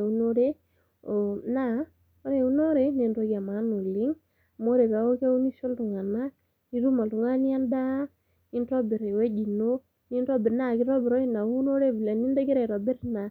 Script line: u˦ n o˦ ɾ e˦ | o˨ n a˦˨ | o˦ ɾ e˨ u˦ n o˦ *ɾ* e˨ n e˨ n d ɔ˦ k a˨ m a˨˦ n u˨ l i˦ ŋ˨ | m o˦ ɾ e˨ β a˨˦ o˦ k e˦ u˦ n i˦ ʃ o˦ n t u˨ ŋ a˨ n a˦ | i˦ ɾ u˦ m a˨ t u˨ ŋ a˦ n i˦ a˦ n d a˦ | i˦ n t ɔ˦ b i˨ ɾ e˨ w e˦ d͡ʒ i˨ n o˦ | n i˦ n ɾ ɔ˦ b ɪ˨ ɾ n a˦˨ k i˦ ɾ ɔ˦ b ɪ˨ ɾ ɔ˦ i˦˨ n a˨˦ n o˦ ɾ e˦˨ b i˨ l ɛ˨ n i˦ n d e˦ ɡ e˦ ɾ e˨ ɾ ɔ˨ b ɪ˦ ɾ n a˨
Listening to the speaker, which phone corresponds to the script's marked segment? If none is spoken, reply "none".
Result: ɾ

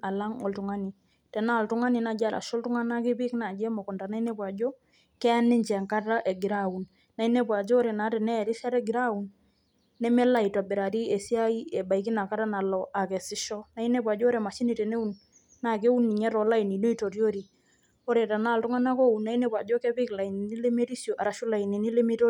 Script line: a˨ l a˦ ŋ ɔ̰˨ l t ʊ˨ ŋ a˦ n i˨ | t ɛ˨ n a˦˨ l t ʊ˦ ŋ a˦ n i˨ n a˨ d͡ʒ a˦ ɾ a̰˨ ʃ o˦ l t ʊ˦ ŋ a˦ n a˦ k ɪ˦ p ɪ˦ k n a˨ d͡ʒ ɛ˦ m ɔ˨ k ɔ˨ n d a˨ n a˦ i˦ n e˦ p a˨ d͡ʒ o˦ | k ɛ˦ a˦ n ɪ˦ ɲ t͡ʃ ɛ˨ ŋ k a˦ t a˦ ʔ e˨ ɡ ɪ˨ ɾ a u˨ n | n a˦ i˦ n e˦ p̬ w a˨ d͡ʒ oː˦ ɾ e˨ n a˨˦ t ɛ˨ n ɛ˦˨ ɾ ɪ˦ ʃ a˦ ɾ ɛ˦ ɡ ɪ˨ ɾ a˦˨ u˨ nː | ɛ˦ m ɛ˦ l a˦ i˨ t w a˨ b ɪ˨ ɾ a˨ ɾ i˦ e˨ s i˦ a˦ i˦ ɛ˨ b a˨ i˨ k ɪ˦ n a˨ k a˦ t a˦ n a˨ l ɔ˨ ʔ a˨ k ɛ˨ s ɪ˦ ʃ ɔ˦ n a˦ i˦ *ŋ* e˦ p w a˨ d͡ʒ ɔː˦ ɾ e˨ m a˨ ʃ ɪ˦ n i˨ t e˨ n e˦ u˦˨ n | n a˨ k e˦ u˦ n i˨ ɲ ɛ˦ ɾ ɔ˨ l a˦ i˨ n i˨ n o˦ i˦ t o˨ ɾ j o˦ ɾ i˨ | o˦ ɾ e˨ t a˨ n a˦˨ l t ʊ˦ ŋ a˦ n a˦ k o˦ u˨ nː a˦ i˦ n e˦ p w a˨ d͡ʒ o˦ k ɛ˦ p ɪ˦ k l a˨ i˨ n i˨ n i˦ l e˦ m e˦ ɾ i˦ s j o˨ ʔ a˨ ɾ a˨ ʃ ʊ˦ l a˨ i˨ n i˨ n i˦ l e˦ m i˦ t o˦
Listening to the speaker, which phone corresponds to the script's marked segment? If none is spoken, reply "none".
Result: n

